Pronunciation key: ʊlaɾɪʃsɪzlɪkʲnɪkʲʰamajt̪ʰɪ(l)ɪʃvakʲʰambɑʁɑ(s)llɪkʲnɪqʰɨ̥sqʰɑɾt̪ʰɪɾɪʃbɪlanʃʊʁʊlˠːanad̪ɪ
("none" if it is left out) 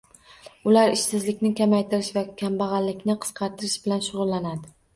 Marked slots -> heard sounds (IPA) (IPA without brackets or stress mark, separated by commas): ɾ, none